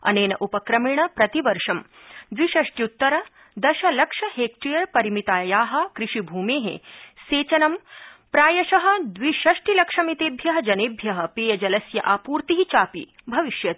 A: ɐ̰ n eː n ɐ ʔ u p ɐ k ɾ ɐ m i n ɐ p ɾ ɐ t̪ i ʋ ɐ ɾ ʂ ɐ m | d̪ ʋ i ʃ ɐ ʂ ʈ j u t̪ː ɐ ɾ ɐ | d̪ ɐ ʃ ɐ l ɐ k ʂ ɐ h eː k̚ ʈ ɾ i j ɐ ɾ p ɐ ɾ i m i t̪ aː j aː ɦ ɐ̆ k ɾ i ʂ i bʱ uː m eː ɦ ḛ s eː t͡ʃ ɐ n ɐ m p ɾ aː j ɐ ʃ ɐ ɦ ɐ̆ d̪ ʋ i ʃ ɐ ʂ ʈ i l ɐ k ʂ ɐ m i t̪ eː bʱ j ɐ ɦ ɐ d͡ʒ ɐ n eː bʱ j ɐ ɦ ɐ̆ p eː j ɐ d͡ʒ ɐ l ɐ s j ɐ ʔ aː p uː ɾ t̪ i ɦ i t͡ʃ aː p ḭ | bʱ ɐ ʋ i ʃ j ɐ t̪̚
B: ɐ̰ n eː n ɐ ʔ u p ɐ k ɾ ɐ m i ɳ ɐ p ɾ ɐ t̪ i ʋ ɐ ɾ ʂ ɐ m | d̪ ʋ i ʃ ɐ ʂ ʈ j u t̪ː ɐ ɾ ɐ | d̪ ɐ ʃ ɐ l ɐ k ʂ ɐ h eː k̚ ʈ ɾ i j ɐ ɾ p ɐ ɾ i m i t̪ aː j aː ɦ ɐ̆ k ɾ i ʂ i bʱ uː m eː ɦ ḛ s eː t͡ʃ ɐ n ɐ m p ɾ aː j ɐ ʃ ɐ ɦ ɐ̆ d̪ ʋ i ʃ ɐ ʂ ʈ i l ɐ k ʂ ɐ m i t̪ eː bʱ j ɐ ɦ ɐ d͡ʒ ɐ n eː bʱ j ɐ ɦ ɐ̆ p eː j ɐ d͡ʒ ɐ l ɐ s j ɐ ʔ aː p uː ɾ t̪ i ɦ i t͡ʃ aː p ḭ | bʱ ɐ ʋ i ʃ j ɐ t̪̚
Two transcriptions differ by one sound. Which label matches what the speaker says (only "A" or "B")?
B